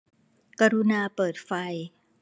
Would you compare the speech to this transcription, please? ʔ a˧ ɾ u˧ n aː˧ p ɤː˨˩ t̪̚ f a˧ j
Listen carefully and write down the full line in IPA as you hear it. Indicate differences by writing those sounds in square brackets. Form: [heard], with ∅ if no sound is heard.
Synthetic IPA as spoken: [k] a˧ ɾ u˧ n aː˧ p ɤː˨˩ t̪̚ f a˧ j